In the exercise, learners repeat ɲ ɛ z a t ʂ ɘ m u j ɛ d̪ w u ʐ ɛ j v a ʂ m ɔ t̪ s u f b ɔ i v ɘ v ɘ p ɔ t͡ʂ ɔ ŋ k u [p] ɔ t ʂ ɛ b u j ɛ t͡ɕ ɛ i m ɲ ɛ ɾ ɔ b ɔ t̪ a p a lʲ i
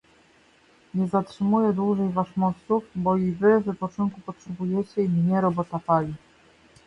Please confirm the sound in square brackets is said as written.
yes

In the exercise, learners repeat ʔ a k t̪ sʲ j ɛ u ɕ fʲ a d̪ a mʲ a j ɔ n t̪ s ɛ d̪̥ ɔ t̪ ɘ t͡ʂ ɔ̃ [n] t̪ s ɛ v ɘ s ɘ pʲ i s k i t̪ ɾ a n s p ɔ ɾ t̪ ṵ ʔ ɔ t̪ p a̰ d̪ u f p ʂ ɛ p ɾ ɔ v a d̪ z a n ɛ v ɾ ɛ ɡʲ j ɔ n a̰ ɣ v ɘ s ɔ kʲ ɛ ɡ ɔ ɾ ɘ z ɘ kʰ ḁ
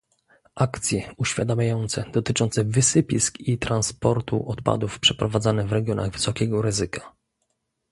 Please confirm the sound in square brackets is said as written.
yes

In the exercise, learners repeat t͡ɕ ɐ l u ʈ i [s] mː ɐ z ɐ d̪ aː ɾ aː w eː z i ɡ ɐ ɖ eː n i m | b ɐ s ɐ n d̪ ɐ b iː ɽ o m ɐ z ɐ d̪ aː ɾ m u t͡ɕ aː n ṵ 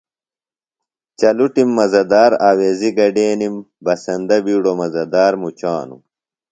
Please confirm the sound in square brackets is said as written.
no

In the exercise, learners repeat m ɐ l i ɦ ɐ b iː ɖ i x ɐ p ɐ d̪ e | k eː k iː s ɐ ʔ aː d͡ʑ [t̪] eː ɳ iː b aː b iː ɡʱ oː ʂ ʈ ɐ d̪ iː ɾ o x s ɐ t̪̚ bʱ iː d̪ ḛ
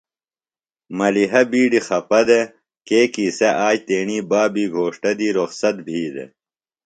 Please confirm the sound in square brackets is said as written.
yes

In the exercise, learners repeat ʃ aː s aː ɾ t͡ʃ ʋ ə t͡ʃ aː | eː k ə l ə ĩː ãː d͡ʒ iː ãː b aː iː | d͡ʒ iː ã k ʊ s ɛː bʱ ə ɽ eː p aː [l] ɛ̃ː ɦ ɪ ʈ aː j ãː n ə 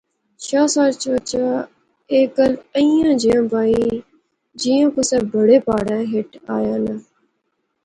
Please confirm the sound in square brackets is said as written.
no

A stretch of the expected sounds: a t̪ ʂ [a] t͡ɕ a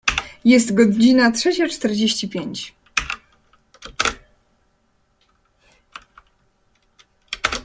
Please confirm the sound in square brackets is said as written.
no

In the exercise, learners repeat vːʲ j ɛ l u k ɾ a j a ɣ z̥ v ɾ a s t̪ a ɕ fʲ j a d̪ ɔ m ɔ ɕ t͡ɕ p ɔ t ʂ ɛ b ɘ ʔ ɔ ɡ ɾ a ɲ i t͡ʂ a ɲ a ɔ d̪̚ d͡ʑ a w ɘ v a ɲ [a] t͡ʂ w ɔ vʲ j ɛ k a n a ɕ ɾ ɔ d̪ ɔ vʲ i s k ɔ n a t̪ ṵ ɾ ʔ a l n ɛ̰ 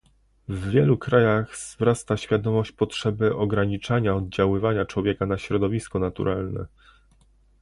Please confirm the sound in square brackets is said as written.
yes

